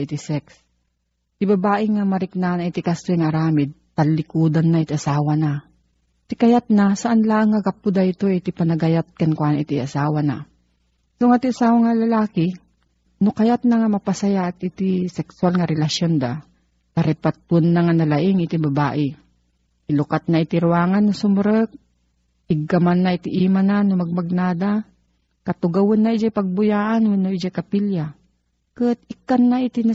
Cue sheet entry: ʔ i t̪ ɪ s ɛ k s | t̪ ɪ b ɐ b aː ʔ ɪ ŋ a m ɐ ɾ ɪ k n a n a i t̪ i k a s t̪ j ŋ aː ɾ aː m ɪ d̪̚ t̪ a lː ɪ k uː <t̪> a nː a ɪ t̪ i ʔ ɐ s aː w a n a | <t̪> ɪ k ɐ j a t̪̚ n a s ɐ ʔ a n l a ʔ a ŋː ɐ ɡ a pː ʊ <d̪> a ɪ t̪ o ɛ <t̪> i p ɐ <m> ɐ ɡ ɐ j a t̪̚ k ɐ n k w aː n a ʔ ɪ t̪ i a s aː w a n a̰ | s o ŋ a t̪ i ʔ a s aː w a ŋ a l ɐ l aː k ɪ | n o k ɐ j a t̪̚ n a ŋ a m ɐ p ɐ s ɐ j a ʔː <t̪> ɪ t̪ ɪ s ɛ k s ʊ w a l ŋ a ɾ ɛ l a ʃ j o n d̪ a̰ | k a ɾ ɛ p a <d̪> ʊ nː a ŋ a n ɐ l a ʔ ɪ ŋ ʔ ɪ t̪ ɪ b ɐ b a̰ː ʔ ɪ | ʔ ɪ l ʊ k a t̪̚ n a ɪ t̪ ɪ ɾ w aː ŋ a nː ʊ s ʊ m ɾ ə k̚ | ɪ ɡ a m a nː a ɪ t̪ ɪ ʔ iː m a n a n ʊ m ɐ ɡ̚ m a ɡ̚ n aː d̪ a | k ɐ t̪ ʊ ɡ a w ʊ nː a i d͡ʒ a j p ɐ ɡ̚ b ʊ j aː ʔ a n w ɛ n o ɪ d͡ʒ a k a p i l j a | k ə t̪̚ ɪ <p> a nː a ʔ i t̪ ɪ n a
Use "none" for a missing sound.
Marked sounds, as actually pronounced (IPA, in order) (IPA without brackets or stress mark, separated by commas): d̪, t̪, d̪, t̪, n, t̪, t̪, k